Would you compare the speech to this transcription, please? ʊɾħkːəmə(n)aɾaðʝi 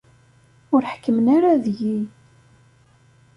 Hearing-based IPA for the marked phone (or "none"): n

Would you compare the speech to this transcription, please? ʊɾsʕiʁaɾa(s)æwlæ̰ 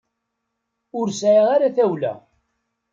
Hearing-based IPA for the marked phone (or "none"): θ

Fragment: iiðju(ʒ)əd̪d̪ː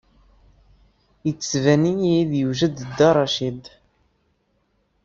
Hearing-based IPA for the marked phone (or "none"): ʒ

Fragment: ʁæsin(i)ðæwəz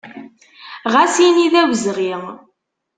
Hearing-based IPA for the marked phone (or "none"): i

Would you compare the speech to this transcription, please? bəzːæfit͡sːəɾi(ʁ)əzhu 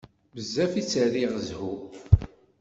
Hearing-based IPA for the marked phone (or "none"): ʁ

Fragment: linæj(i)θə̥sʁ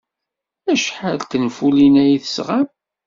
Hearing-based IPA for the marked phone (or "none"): i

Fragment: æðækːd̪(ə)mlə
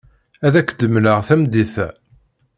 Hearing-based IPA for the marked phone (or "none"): ə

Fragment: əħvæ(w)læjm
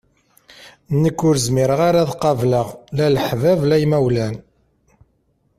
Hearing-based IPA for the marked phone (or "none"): v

